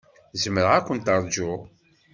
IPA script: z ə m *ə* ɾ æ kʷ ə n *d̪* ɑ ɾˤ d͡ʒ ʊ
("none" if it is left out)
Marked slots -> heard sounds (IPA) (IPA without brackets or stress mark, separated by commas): ə, t̪